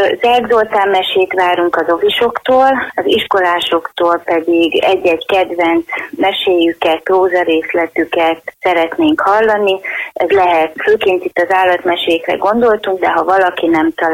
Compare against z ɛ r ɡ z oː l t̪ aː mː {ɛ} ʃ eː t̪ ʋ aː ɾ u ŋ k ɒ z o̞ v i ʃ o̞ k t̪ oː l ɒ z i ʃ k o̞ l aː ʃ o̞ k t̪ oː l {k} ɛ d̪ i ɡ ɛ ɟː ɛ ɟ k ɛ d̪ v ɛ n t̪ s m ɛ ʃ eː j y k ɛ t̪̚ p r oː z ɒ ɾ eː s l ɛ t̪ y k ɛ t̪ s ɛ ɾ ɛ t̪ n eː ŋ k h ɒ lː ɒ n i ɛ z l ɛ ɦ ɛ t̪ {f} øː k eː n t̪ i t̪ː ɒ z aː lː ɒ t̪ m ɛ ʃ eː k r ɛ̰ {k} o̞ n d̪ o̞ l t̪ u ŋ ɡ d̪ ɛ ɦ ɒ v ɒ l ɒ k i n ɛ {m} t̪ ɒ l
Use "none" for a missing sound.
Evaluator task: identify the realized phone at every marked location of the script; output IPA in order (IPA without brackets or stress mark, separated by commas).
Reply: ɛ, p, f, ɡ, m